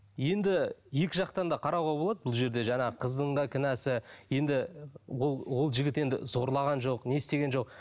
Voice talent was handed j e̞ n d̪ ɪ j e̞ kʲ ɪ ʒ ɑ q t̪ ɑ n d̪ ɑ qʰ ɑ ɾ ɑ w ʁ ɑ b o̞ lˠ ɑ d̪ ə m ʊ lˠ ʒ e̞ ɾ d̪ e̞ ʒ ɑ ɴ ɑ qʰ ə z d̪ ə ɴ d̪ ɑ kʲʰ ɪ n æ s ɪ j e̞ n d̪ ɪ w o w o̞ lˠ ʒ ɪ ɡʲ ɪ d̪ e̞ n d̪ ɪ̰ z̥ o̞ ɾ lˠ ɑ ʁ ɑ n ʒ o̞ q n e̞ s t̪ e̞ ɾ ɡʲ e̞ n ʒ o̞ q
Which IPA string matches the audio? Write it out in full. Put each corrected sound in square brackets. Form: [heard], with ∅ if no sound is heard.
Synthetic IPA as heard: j e̞ n d̪ ɪ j e̞ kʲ ɪ ʒ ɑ q t̪ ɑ n d̪ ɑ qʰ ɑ ɾ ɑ w ʁ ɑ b o̞ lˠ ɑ d̪ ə [b] ʊ lˠ ʒ e̞ ɾ d̪ e̞ ʒ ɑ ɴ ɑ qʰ ə z d̪ ə ɴ d̪ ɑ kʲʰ ɪ n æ s ɪ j e̞ n d̪ ɪ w o w o̞ lˠ ʒ ɪ ɡʲ ɪ [t̪] e̞ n d̪ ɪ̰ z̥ o̞ ɾ lˠ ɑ ʁ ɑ n ʒ o̞ q n e̞ s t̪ e̞ [∅] ɡʲ e̞ n ʒ o̞ q